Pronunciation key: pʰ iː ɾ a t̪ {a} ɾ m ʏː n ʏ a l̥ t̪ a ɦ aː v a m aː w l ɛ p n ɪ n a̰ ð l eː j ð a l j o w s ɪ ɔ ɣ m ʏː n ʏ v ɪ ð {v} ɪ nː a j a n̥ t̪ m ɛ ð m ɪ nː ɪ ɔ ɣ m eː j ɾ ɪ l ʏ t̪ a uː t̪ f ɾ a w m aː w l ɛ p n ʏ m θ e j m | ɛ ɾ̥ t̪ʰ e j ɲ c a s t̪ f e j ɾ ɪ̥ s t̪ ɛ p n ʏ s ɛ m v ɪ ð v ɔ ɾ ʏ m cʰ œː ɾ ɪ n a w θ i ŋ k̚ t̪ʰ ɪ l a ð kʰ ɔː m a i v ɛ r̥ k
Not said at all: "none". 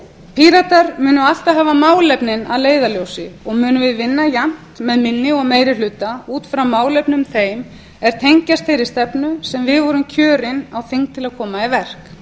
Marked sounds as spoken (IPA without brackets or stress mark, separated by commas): a, v